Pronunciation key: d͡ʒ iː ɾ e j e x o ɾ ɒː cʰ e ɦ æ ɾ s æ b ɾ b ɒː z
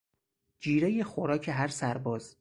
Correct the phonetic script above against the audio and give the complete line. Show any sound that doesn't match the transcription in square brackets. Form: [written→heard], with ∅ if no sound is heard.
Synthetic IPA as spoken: d͡ʒ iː ɾ e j e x o ɾ ɒː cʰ e ɦ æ ɾ s æ [b→∅] ɾ b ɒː z